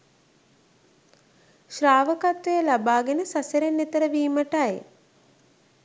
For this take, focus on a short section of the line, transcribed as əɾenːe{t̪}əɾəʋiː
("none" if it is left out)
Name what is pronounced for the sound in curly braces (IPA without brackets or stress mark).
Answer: t̪